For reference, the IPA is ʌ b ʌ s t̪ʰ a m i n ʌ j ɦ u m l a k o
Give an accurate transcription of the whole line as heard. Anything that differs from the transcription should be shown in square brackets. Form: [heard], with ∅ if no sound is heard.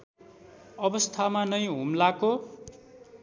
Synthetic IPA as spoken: ʌ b ʌ s t̪ʰ a m [a] n ʌ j ɦ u m l a k o